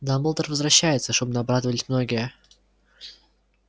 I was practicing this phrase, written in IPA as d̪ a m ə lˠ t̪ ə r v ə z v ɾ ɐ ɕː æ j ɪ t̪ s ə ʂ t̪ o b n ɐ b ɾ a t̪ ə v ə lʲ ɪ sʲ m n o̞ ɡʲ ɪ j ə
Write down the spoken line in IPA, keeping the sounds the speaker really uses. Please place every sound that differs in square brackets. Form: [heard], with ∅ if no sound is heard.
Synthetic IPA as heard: d̪ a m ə lˠ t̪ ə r v ə z v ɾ ɐ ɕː æ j ɪ t̪ s ə ʂ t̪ o b n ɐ b ɾ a [d̪] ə v ə lʲ ɪ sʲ m n o̞ ɡʲ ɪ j ə